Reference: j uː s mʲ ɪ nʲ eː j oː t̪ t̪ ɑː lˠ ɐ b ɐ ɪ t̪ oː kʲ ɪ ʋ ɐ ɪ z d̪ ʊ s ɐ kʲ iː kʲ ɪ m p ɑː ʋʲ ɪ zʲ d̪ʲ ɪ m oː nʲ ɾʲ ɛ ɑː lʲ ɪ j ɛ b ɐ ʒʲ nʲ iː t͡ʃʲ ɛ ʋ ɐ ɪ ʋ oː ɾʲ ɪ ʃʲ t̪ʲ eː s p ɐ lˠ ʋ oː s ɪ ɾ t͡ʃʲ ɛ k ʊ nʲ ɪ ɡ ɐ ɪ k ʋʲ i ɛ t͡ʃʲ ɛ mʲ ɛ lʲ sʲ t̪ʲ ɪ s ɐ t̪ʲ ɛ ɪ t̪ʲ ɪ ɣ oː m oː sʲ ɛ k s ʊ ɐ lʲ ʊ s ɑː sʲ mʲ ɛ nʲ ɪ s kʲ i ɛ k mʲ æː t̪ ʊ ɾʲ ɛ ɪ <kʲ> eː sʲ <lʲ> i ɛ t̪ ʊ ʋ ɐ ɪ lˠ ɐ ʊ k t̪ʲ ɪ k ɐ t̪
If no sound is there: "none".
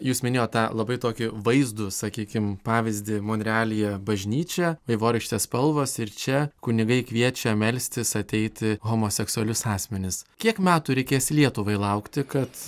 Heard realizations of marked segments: kʲ, lʲ

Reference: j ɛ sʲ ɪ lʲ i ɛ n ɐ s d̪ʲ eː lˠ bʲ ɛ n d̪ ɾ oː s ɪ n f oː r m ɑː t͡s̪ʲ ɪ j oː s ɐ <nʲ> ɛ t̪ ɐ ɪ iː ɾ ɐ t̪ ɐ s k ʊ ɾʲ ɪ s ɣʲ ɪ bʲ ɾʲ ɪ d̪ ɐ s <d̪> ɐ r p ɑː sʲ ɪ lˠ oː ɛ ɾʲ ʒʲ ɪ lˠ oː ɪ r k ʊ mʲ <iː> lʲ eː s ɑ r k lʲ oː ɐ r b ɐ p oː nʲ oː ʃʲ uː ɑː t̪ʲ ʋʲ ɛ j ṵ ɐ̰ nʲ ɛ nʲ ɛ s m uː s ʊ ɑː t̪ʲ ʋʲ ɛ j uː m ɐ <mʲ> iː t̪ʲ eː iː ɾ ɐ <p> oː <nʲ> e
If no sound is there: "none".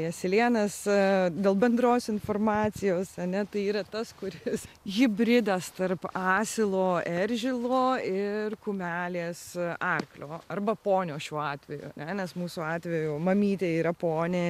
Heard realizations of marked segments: nʲ, t̪, æː, mʲ, p, nʲ

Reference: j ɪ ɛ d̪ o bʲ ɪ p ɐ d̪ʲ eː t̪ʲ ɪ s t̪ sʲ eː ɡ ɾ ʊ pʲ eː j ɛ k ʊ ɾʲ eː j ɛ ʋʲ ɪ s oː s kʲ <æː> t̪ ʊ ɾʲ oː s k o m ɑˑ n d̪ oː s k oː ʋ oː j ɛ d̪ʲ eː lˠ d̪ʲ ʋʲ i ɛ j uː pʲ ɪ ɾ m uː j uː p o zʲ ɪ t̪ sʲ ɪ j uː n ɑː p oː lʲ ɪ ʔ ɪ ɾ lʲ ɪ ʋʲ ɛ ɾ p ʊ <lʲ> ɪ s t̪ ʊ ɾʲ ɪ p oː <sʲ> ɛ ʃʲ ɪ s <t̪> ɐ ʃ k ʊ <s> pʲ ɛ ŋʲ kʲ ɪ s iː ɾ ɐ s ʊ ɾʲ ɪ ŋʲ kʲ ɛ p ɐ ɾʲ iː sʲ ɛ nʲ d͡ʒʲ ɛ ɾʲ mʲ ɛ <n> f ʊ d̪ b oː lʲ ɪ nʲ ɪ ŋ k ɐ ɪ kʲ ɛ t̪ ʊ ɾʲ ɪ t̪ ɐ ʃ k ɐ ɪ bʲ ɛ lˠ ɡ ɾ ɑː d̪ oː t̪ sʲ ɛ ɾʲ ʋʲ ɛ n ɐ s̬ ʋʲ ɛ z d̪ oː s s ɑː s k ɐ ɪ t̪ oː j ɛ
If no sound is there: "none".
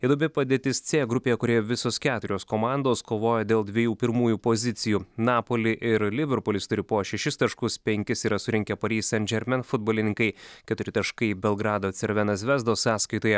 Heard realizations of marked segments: æː, lʲ, ʃʲ, t̪, s, n

